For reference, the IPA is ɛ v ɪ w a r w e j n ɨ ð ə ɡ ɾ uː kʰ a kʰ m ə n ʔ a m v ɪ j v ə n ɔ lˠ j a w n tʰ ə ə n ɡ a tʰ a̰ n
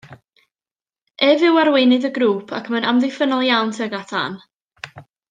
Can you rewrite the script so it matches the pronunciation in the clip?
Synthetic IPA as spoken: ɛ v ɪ w a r w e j n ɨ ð ə ɡ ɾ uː pʰ a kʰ m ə n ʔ a m ð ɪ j f ə n ɔ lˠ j a w n tʰ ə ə ɡ a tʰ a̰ n